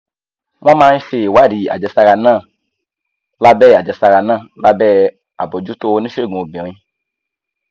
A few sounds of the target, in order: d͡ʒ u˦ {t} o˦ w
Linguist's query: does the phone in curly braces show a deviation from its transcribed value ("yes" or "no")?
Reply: no